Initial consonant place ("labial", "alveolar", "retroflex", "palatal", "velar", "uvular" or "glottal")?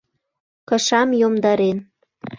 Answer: velar